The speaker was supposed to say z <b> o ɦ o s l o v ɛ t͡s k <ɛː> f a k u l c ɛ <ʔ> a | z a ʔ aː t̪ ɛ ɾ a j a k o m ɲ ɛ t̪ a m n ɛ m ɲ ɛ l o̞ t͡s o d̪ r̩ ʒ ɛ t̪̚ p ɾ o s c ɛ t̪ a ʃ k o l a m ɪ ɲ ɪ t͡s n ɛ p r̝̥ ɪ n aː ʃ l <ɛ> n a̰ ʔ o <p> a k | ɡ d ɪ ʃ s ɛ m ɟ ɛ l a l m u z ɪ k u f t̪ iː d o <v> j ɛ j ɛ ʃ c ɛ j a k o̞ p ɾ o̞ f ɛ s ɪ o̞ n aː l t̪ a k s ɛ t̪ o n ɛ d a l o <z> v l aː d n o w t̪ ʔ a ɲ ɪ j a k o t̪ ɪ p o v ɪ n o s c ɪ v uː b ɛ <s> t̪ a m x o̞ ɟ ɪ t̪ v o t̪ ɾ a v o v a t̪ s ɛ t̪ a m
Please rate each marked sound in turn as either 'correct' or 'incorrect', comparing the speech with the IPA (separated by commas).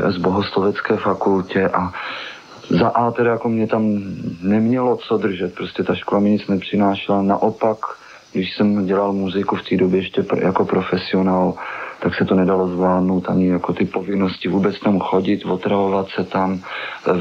correct, correct, correct, incorrect, correct, incorrect, correct, incorrect